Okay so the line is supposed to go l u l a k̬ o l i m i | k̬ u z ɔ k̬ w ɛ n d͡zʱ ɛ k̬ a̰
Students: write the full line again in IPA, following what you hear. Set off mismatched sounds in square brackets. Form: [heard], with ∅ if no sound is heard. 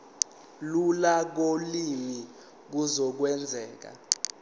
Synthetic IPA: l u l a k̬ o l i m i | k̬ u z ɔ k̬ w ɛ n d͡zʱ [ɛː] k̬ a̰